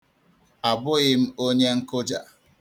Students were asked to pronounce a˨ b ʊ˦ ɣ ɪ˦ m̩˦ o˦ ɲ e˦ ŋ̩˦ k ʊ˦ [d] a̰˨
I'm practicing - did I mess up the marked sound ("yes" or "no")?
yes